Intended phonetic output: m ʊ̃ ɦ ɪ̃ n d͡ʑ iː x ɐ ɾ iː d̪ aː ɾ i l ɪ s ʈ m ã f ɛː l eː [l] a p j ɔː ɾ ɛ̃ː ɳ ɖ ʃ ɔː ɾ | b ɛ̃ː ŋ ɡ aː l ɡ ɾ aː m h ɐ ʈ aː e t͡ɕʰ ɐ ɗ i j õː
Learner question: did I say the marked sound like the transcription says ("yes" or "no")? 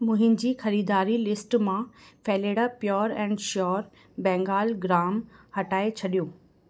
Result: no